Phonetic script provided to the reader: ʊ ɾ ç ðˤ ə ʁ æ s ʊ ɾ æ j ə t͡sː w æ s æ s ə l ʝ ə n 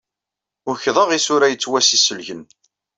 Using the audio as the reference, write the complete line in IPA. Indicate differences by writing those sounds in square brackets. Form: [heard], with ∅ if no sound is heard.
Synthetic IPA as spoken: ʊ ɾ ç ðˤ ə ʁ [i] s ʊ ɾ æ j ə t͡sː w æ s [i] s ə l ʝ ə n